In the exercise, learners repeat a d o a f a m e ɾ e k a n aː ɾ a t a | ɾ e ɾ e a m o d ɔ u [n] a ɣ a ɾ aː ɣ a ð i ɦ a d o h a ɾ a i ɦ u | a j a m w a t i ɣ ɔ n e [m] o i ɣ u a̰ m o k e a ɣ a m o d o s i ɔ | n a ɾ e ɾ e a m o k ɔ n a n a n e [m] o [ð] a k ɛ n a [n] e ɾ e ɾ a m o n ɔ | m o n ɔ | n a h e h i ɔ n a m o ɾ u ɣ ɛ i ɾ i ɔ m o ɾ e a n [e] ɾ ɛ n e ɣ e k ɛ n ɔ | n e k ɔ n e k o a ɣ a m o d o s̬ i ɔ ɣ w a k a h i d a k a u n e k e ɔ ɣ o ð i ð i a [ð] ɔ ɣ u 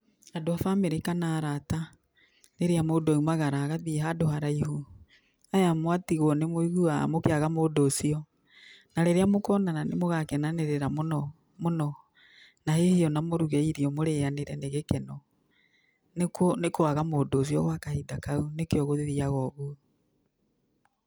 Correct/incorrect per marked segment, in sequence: incorrect: m, correct, correct, incorrect: ɣ, correct, correct, incorrect: ɣ

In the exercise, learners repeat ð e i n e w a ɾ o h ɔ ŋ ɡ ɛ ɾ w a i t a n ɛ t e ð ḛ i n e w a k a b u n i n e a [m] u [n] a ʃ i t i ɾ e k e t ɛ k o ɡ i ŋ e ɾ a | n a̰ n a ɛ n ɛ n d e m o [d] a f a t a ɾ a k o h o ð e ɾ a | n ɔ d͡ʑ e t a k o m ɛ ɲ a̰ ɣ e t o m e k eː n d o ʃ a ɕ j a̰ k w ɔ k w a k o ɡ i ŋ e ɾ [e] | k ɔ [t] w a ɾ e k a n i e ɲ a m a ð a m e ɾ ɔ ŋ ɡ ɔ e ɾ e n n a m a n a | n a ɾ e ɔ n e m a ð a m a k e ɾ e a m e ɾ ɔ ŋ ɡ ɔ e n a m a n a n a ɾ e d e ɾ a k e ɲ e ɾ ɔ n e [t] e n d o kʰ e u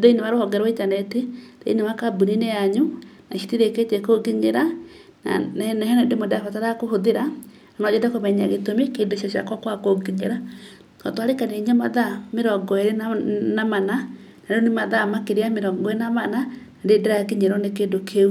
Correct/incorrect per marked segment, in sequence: incorrect: ɲ, correct, correct, incorrect: a, correct, incorrect: k

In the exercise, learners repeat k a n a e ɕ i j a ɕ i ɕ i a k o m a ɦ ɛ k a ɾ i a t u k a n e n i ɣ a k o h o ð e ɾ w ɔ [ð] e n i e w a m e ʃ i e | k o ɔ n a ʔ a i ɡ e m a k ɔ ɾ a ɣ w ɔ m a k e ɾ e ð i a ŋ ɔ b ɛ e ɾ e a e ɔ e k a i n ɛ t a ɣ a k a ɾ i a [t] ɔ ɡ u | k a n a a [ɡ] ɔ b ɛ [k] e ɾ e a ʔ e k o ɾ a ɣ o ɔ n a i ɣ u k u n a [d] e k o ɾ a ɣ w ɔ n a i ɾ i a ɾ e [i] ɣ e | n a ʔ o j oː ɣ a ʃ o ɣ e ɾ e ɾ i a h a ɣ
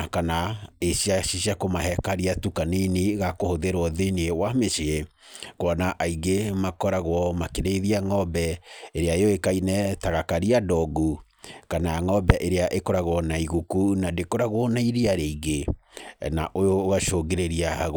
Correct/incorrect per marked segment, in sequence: correct, incorrect: d, incorrect: ŋ, incorrect: ʔ, correct, correct

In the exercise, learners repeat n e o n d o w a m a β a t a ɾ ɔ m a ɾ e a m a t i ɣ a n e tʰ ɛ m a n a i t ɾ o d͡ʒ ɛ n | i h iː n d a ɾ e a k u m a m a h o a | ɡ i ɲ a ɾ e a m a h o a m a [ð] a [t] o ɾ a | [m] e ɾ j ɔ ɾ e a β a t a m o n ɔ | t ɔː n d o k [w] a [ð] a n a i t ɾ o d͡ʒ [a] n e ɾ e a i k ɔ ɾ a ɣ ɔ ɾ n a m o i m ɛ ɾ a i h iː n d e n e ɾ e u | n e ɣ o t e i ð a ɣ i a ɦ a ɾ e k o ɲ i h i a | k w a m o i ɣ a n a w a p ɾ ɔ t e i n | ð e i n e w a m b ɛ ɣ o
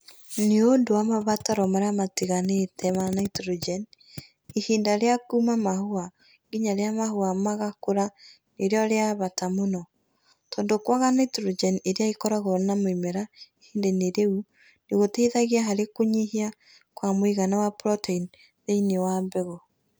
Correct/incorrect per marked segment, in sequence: incorrect: ɣ, incorrect: k, incorrect: n, correct, incorrect: ɣ, incorrect: ɛ

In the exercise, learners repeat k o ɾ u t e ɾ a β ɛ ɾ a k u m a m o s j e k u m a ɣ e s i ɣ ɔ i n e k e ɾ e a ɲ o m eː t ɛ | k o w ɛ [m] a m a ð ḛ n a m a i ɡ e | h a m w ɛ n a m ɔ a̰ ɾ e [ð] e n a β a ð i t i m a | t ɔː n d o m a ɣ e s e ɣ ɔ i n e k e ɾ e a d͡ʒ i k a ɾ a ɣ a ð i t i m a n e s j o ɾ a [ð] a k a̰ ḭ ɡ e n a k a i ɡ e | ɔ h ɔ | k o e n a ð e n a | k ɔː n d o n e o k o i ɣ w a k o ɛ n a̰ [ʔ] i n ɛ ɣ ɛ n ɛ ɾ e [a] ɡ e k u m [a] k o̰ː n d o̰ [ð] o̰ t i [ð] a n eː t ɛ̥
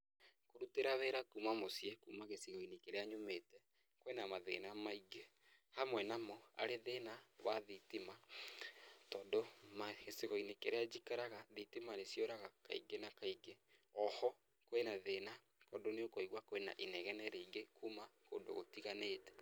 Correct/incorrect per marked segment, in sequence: incorrect: n, correct, incorrect: ɣ, correct, incorrect: i, correct, incorrect: ɣ, incorrect: ɣ

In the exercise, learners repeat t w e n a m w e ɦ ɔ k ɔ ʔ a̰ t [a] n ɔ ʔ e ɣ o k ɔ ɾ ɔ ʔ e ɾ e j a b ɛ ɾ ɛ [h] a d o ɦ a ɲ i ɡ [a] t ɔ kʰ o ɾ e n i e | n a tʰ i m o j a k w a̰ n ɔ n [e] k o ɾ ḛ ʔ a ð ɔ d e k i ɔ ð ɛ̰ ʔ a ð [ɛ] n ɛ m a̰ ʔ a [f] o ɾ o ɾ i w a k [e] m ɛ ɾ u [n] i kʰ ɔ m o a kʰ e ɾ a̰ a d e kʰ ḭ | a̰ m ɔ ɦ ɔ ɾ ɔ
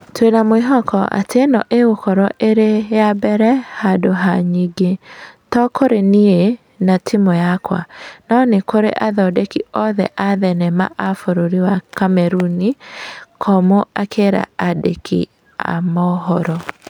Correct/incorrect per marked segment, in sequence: incorrect: e, correct, incorrect: e, correct, correct, correct, incorrect: a, correct

